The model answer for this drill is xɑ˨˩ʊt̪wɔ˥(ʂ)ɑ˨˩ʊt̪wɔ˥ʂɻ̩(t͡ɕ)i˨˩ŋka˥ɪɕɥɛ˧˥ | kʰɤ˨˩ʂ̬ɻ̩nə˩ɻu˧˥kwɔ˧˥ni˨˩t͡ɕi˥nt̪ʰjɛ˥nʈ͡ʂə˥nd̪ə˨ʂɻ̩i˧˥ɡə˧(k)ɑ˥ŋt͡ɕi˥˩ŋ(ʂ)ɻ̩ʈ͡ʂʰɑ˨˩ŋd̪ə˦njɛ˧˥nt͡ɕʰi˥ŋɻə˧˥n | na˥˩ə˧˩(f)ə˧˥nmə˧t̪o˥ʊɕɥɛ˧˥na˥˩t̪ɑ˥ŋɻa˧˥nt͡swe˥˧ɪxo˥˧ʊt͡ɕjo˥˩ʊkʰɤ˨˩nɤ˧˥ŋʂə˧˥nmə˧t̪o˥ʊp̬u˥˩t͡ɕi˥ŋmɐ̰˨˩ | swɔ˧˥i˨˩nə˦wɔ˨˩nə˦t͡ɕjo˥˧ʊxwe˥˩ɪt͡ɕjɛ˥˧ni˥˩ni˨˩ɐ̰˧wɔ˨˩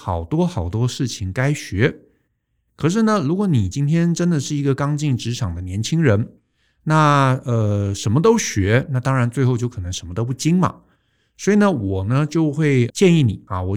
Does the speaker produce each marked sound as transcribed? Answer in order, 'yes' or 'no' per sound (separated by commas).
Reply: no, no, yes, no, no